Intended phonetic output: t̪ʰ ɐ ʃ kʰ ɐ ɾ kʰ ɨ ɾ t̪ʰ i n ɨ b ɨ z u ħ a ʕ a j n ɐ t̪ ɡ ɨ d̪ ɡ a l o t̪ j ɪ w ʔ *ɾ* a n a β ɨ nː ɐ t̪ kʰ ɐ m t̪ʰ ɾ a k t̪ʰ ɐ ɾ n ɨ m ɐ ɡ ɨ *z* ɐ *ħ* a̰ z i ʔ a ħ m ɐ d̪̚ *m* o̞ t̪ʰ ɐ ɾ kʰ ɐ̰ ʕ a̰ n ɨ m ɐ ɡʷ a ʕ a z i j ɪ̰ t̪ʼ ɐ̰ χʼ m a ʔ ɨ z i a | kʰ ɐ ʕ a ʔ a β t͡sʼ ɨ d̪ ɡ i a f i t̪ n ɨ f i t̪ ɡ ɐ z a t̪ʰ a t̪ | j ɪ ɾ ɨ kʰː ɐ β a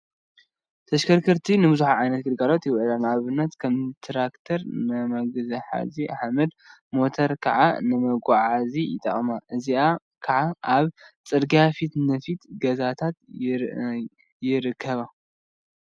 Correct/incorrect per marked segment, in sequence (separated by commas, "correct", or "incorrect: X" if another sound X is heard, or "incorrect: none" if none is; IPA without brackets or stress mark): incorrect: l, correct, correct, correct